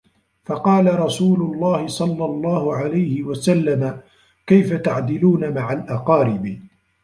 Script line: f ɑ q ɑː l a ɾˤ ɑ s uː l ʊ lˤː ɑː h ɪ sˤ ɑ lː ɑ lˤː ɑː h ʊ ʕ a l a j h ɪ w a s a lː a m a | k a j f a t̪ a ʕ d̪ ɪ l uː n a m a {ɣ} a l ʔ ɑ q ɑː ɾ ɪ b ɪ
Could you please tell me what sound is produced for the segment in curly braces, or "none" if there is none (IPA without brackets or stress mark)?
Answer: ʕ